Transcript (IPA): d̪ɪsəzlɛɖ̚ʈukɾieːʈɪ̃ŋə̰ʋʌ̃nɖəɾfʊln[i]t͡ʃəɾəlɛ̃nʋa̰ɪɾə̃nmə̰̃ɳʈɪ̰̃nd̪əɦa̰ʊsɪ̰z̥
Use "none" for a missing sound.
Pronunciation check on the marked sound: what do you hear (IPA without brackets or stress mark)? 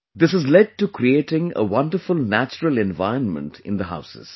æ